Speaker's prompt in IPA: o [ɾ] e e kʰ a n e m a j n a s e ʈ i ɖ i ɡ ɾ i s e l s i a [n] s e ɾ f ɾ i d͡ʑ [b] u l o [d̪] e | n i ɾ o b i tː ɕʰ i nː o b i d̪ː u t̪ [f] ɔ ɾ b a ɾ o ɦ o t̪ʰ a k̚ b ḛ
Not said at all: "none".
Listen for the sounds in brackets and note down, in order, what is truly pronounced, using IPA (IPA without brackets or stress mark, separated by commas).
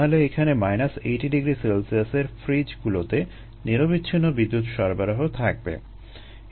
l, none, ɡ, t̪, ʃ